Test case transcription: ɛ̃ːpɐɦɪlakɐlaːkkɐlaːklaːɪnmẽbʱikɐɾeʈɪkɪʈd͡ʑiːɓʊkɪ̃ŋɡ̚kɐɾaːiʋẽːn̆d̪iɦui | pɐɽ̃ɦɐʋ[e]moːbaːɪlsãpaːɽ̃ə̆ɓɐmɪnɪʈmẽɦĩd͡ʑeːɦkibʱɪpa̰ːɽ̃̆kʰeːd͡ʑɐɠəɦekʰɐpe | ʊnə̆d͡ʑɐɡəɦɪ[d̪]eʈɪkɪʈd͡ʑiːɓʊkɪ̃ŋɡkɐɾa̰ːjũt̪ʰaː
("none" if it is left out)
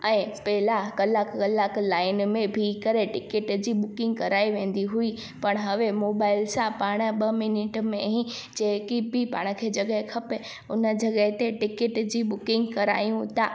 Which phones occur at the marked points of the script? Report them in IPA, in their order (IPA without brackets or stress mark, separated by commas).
e, t̪